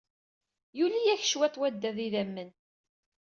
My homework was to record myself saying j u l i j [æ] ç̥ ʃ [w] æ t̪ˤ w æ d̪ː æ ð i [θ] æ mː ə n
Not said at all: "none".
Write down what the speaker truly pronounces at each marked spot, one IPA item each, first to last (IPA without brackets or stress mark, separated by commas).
æ, w, ð